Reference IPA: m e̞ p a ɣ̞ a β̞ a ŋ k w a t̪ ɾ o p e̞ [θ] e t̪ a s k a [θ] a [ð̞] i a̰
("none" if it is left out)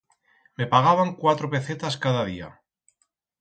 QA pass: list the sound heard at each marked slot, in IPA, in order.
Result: θ, ð, ð̞

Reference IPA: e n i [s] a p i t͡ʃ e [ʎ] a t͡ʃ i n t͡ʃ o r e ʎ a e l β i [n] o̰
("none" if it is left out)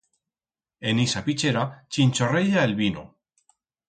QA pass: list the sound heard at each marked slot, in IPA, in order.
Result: s, ɾ, n

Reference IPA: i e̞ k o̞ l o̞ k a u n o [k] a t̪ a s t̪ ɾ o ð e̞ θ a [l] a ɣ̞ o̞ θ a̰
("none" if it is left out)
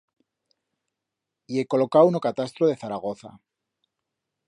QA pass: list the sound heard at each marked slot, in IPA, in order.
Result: k, ɾ

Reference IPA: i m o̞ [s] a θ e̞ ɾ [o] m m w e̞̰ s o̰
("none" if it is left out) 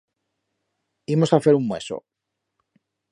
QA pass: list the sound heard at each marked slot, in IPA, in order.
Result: s, u

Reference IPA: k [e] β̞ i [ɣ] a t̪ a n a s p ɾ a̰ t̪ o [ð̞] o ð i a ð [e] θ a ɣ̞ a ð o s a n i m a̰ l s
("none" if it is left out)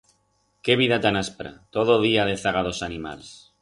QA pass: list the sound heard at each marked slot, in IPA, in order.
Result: e, ð, ð̞, e

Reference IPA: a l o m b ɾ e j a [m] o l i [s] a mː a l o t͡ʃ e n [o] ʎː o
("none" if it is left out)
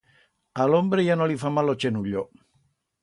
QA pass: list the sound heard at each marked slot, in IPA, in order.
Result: n, f, u

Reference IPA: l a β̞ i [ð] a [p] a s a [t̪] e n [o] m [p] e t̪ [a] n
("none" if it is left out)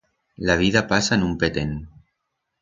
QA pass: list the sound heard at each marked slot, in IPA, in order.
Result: ð, p, none, u, p, e

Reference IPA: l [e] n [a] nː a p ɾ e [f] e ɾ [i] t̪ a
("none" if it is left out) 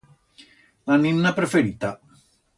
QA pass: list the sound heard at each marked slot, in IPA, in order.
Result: a, i, f, i

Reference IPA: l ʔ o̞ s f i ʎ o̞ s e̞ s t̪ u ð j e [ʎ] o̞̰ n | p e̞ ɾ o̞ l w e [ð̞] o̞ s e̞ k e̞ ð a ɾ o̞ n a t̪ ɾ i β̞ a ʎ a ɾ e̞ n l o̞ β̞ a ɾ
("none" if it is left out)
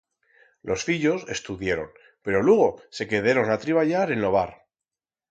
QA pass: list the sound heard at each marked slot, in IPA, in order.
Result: ɾ, ɣ̞

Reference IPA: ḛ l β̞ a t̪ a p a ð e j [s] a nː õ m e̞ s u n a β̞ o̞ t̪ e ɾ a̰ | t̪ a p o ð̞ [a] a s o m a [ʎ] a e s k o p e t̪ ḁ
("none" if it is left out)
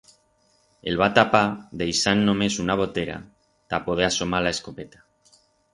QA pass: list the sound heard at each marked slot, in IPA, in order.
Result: s, e, l

